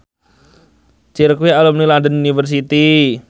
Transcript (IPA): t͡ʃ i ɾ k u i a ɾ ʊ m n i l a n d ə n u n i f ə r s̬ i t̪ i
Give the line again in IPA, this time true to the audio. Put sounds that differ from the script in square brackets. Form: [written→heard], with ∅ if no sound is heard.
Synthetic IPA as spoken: t͡ʃ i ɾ k [u→w] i a [ɾ→l] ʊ m n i l a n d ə n u n i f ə r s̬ i t̪ i